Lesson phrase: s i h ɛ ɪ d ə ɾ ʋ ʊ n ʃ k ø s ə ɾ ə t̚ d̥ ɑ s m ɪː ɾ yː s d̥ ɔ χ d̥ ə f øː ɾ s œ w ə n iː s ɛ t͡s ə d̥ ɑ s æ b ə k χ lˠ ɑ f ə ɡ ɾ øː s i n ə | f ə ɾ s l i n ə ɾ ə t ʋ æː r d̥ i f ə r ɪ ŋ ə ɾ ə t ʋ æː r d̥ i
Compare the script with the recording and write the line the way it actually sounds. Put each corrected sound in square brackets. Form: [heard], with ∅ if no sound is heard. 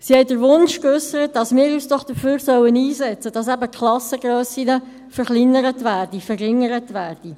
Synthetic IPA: s i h ɛ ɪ d ə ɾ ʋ ʊ n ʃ k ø s ə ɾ ə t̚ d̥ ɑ s m ɪː ɾ yː s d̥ ɔ χ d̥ ə f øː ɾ s œ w ə n iː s ɛ t͡s ə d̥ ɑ s æ b ə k χ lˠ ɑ [s] ə ɡ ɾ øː s i n ə | f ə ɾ [χ] l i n ə ɾ ə t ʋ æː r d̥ i f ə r ɪ ŋ ə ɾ ə t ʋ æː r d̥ i

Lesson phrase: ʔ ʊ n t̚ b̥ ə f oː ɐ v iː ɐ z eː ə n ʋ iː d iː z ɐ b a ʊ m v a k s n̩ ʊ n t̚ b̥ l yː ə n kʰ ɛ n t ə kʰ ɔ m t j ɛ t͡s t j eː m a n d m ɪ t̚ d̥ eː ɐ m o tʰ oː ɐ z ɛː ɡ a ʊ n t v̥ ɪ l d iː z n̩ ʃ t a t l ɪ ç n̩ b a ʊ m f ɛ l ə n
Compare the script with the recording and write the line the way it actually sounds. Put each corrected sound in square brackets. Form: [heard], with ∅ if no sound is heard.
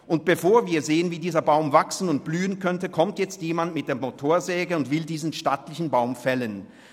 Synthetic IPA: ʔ ʊ n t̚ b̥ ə f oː ɐ v iː ɐ z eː ə n [v] iː d iː z ɐ b a ʊ m v a k s n̩ ʊ n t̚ b̥ l yː ə n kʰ [œ] n t ə kʰ ɔ m t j ɛ t͡s t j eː m a n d m ɪ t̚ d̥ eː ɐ m o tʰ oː ɐ z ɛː ɡ [ə] ʊ n t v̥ ɪ l d iː z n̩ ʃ t a t l ɪ ç n̩ b a ʊ m f ɛ l ə n

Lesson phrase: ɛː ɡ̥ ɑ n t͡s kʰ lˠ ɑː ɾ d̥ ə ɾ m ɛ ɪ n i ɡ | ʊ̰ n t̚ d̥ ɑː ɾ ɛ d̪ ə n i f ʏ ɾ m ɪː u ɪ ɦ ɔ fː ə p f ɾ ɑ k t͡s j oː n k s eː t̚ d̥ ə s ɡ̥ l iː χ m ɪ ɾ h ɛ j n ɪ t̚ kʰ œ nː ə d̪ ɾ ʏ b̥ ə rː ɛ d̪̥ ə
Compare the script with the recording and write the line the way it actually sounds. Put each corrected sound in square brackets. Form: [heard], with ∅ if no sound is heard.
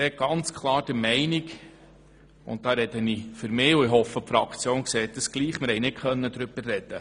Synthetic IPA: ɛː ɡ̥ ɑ n t͡s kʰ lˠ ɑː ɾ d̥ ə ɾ m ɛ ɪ n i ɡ | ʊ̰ n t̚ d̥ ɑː ɾ ɛ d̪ ə n i f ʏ ɾ m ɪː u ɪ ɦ ɔ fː ə p f ɾ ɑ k t͡s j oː n k s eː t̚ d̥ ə s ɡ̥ l iː χ m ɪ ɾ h ɛ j n ɪ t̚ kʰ œ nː ə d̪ ɾ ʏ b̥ ə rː ɛ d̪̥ ə

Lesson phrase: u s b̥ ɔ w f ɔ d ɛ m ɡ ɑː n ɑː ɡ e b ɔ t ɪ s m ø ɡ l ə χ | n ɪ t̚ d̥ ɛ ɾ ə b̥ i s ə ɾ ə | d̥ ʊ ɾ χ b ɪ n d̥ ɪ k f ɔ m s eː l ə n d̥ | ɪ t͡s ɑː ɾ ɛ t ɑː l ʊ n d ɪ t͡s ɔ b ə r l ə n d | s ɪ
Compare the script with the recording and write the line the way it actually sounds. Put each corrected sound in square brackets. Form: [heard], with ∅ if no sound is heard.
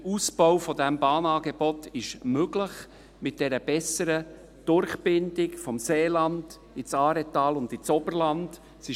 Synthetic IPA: u s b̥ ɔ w f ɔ d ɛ m [b] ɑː n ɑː ɡ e b ɔ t ɪ [ʃ] m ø ɡ l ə χ | [m] ɪ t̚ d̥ ɛ ɾ ə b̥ [ɛ] s ə ɾ ə | d̥ ʊ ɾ χ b ɪ n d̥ ɪ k f ɔ m s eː l [ɑ] n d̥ | ɪ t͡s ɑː ɾ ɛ t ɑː l ʊ n d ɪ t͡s ɔ b ə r l [ɑ] n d | s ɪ

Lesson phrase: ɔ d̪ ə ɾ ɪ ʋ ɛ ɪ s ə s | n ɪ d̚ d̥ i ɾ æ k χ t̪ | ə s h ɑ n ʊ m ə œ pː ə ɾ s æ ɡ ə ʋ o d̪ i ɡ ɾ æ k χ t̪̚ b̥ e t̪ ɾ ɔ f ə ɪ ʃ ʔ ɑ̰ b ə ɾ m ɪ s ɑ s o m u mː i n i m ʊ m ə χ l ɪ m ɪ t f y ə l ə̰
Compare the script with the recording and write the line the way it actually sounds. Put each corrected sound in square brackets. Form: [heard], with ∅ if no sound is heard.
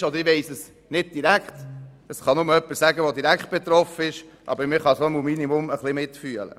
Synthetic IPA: ɔ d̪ ə ɾ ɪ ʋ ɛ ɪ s ə s | n ɪ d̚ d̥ i ɾ æ k χ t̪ | ə s [χ] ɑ n ʊ m ə œ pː ə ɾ s æ ɡ ə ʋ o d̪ i [∅] ɾ æ k χ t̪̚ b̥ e t̪ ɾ ɔ f ə ɪ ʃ ʔ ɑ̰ b ə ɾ m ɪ [χ] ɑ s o m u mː i n i m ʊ m ə χ l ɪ m ɪ t f y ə l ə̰

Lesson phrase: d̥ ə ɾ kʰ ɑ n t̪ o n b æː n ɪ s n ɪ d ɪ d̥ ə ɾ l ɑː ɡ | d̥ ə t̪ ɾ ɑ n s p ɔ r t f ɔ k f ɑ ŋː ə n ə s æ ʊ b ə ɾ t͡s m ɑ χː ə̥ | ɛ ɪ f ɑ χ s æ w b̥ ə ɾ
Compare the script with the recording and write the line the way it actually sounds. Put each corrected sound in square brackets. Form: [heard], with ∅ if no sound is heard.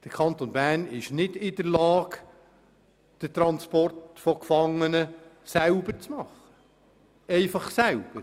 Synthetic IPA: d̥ ə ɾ kʰ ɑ n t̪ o n b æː n ɪ [ʃ] n ɪ d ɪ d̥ ə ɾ l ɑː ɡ | d̥ ə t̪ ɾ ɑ n s p ɔ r t f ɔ k f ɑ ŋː ə n ə s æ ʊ b ə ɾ t͡s m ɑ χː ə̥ | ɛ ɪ f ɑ χ s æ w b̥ ə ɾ

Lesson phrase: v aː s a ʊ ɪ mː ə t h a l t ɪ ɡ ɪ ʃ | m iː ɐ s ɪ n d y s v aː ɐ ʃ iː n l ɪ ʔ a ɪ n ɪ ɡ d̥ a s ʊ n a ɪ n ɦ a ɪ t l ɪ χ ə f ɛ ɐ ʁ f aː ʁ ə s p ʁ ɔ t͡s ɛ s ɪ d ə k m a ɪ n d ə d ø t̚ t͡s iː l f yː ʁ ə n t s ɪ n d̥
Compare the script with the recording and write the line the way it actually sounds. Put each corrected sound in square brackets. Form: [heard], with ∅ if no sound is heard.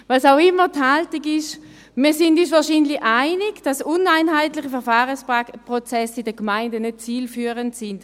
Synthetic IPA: v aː s a ʊ ɪ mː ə t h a l t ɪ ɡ ɪ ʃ | m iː ɐ s ɪ n d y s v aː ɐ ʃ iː n l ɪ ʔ a ɪ n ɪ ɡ d̥ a s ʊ n a ɪ n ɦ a ɪ t l ɪ χ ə f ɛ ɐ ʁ f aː ʁ ə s p ʁ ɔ t͡s ɛ s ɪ d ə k m a ɪ n d ə [n] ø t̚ t͡s iː l f yː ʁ ə n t s ɪ n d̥

